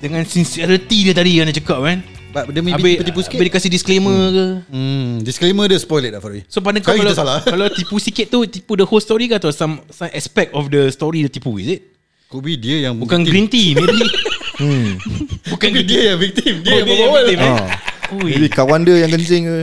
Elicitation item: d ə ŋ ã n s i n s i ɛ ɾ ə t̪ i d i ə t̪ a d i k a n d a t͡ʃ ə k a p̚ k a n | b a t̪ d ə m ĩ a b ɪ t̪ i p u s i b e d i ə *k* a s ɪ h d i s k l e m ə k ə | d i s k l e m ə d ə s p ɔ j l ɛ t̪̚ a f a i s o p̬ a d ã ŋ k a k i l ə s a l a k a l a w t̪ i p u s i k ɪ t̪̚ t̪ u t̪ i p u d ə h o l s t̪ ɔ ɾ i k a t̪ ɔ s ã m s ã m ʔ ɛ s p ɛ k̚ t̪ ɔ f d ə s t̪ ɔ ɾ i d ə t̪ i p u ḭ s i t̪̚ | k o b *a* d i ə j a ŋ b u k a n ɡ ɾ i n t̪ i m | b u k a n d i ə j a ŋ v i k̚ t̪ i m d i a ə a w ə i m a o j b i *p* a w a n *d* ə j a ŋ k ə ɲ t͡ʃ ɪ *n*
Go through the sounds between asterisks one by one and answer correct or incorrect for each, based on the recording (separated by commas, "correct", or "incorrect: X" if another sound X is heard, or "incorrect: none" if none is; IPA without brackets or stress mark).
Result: correct, incorrect: i, incorrect: k, correct, incorrect: ŋ